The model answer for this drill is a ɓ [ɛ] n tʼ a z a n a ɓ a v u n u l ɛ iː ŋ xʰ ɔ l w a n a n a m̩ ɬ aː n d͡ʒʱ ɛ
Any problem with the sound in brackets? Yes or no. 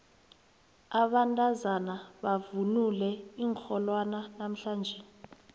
yes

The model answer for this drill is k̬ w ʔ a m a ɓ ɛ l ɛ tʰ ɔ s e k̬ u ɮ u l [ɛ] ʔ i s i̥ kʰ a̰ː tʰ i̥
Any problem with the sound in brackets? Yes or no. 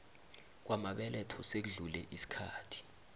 no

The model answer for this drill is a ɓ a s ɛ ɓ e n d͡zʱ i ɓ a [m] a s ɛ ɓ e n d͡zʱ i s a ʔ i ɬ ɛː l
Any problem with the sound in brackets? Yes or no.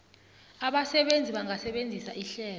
yes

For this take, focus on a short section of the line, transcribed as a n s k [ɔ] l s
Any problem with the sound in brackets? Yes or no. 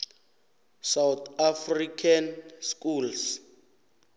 yes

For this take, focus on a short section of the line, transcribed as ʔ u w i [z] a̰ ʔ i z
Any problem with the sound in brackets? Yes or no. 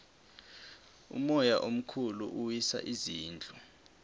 yes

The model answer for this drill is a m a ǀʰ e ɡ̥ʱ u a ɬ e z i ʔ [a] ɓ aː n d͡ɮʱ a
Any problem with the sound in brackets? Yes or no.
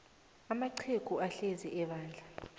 yes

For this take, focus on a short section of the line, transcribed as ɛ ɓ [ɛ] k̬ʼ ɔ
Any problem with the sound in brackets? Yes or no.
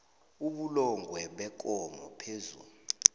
no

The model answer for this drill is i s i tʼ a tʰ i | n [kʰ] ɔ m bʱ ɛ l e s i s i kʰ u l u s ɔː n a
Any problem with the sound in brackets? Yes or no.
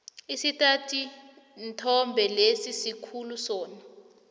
yes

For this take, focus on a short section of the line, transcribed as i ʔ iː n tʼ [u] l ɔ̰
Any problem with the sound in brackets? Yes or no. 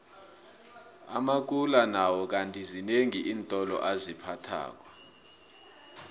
yes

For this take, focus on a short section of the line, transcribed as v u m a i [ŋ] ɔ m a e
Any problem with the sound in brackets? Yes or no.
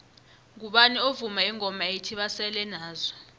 no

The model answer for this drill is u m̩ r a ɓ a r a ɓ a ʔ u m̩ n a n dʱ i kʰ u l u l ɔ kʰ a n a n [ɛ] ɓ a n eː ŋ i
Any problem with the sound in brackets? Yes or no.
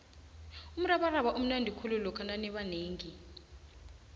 no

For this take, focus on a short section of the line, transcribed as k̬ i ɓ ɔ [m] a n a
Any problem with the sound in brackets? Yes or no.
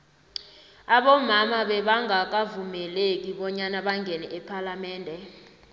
yes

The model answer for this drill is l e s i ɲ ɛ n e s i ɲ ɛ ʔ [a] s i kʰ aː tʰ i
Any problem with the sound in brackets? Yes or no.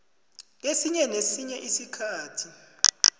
yes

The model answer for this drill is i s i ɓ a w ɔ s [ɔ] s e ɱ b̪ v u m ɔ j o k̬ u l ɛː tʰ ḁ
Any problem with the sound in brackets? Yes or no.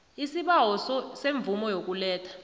no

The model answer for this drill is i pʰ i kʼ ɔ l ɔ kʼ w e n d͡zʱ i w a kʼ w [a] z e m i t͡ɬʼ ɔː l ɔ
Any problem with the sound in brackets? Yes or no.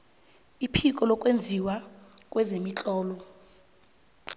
yes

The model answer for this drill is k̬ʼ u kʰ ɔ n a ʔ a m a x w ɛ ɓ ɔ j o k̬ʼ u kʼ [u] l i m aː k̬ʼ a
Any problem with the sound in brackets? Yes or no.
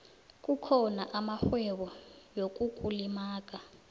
no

